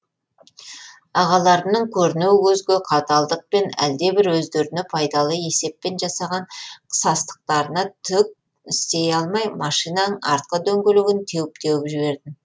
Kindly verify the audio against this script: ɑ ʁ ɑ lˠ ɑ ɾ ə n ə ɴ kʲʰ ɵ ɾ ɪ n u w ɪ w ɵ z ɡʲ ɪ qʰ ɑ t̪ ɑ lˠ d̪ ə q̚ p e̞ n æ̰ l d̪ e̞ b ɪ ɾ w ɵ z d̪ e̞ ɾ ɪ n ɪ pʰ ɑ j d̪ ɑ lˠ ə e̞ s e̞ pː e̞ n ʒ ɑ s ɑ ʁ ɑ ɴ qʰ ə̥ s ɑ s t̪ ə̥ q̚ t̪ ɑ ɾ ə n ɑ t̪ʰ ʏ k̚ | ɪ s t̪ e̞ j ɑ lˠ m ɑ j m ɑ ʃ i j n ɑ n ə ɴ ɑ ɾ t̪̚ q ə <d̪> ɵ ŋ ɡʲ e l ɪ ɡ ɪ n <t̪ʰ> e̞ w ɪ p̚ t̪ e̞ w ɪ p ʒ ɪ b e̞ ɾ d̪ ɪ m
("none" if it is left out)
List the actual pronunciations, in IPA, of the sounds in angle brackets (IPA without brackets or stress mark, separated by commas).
d̪, t̪ʰ